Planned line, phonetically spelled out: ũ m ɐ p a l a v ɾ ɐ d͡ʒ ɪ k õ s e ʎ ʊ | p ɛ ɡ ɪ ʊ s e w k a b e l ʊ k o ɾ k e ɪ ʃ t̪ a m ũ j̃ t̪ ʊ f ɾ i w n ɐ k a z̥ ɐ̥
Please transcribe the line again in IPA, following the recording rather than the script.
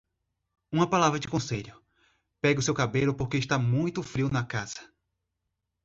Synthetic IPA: ũ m ɐ p a l a v ɾ ɐ d͡ʒ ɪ k õ s e ʎ ʊ | p ɛ ɡ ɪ ʊ s e w k a b e l ʊ p o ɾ k e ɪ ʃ t̪ a m ũ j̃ t̪ ʊ f ɾ i w n ɐ k a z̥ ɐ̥